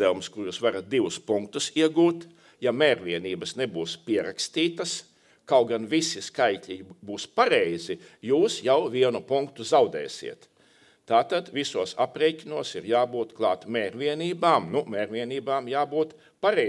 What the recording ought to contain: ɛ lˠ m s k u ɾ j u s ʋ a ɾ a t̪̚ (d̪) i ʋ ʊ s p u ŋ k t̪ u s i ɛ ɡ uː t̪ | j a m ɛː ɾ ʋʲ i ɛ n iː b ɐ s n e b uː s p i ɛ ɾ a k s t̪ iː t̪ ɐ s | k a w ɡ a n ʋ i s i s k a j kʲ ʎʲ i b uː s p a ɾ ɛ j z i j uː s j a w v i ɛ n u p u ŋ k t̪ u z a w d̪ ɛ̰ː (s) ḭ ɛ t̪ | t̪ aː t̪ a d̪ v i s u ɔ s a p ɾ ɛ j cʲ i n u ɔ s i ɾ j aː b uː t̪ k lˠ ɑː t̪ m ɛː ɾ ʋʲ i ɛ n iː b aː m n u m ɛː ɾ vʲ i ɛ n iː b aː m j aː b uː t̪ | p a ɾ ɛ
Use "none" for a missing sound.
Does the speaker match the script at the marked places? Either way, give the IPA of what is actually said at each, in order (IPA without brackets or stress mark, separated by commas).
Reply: d̪, s